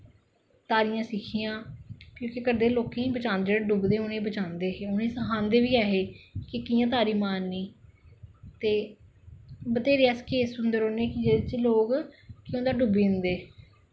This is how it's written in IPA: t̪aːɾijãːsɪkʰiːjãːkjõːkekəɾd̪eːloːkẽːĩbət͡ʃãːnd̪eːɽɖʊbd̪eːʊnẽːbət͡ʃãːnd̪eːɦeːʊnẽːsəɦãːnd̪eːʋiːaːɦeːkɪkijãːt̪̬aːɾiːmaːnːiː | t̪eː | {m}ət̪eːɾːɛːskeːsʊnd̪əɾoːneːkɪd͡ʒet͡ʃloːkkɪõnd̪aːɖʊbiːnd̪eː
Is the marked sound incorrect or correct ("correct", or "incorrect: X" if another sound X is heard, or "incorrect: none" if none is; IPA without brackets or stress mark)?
incorrect: b